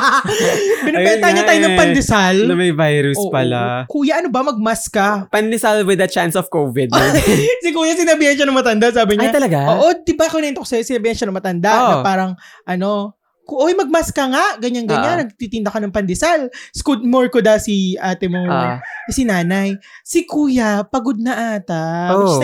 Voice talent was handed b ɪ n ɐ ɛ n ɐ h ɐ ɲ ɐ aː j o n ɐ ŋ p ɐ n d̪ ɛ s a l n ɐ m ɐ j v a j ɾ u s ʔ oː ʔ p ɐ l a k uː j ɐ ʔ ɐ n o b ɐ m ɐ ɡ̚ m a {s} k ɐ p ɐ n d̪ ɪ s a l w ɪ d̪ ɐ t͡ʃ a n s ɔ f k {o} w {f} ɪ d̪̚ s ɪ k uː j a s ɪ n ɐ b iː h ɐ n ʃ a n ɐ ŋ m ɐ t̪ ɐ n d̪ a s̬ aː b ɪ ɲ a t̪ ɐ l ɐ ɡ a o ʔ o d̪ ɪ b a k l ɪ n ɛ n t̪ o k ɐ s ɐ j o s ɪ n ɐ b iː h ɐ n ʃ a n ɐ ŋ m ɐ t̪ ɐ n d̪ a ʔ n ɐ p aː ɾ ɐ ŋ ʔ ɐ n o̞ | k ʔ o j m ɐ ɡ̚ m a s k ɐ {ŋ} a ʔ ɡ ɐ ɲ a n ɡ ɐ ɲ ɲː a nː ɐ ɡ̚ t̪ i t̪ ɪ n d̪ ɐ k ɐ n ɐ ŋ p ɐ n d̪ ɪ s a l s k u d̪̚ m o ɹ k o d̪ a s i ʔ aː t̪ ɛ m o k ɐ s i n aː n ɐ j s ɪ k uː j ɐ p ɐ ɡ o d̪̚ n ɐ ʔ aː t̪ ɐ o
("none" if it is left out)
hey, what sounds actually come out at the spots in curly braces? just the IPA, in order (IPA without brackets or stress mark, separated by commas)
s, o, v, ŋ